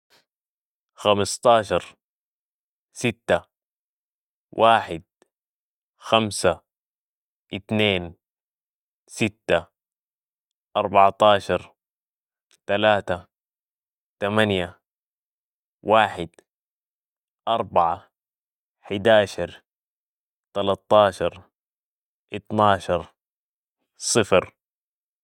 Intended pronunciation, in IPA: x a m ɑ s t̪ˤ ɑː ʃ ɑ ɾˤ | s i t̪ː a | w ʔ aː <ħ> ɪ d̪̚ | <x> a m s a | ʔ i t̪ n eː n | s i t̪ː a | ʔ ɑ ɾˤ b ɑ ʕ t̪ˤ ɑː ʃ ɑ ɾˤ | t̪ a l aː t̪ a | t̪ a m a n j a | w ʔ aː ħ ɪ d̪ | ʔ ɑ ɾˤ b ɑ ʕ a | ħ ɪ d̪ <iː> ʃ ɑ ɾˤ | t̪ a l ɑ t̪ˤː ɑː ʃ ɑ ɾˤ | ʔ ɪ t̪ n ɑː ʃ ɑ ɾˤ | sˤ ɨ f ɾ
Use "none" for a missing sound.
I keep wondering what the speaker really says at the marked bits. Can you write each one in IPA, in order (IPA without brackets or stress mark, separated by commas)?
ħ, x, aː